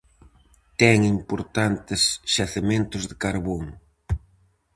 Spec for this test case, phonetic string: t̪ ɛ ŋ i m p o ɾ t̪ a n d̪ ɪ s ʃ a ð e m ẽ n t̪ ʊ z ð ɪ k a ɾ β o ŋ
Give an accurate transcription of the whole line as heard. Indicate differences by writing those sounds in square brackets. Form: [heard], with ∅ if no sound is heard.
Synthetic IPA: t̪ ɛ ŋ i m p o ɾ t̪ a n [t̪] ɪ s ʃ a [θ] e m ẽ n t̪ ʊ z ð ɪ k a ɾ β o ŋ

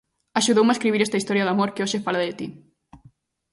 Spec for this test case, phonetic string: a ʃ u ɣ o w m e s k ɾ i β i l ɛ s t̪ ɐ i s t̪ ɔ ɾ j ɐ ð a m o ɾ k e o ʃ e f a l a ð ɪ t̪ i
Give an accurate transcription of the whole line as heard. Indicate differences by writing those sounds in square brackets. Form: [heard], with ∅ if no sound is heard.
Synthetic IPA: a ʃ u [ð] o w m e s k ɾ i β i [ɾ] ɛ s t̪ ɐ i s t̪ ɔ ɾ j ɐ ð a m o ɾ k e o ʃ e f a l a ð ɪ t̪ i

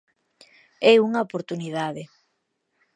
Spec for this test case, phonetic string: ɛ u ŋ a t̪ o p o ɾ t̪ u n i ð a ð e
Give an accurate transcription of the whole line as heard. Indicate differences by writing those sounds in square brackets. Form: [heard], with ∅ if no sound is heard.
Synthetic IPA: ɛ u ŋ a [∅] o p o ɾ t̪ u n i ð a ð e

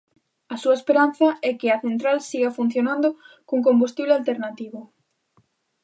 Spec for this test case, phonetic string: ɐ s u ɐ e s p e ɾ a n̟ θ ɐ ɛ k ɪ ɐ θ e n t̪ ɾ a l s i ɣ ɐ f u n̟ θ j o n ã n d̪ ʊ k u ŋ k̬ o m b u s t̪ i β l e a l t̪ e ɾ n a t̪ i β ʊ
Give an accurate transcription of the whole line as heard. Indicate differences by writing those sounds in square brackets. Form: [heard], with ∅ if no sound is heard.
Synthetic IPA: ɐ s u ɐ e s p e ɾ a n̟ θ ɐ ɛ k ɪ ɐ θ e n t̪ ɾ a l s i ɣ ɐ f u n̟ θ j o n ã n d̪ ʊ k u ŋ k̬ o m b u s t̪ i β l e a l t̪ e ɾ n a t̪ i β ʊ

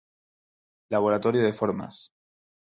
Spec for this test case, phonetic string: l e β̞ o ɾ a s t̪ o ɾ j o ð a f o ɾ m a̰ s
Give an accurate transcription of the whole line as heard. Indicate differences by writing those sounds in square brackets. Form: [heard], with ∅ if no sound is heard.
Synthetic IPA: l [a] β̞ o ɾ a [∅] t̪ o ɾ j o ð [e] f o ɾ m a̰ s

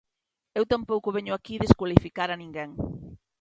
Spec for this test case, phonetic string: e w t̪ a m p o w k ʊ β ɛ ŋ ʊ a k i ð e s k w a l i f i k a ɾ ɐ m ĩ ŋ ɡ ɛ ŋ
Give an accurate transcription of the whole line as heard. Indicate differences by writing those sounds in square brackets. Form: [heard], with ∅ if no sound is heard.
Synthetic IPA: e w t̪ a m p o w k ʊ β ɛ [ɲ] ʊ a k i ð e s k w a l i f i k a ɾ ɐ [n] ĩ ŋ ɡ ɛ ŋ

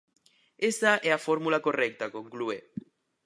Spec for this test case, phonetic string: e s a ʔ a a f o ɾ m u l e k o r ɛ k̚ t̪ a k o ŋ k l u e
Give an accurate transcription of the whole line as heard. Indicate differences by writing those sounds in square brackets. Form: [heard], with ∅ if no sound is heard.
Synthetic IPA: e s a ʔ [ɛ] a f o ɾ m u l [a] k o r ɛ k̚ t̪ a k o ŋ k l u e

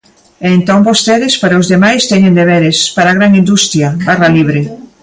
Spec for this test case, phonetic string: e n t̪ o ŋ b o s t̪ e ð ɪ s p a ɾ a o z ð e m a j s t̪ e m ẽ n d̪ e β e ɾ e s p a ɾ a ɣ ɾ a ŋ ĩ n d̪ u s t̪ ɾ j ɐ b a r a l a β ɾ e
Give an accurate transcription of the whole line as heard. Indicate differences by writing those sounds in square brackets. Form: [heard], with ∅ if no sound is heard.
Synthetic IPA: e n t̪ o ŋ b o s t̪ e ð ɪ s p a ɾ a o z ð e m a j s t̪ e [ɲ] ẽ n d̪ e β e ɾ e s p a ɾ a ɣ ɾ a ŋ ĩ n d̪ u s t̪ ɾ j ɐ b a r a l [i] β ɾ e

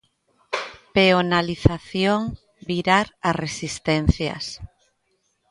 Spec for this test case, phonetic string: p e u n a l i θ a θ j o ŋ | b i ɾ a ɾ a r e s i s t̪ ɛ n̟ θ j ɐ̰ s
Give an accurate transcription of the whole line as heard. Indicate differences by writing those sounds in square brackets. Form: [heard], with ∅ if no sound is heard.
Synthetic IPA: p e [o] n a l i θ a θ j o ŋ | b i ɾ a ɾ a r e s i s t̪ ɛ n̟ θ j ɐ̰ s

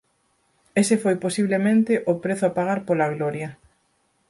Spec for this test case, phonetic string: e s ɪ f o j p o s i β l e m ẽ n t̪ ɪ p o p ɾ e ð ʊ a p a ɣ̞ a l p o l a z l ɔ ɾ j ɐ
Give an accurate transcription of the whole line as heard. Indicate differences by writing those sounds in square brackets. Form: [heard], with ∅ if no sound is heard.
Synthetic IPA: e s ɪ f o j p o s i β l e m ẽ n t̪ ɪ [ʔ] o p ɾ e [θ] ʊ a p a ɣ̞ a [ɾ] p o l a [ɣ] l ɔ ɾ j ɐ

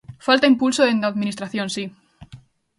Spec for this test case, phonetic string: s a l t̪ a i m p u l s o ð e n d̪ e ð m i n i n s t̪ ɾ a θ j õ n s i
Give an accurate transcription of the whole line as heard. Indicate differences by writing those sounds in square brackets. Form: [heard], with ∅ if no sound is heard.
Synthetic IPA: [f] a l t̪ a i m p u l s o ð e n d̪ [a] ð m i n i [∅] s t̪ ɾ a θ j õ n s i

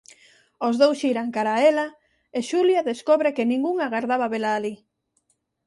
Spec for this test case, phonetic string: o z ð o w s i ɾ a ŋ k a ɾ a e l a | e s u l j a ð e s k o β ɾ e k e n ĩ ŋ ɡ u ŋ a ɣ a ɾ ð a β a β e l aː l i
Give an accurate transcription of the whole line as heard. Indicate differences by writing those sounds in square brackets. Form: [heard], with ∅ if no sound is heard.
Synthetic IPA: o z ð o w s i ɾ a ŋ k a ɾ a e l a | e [ʃ] u l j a ð e s k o β ɾ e k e n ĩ ŋ ɡ u ŋ a ɣ a ɾ ð a β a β e l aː l i

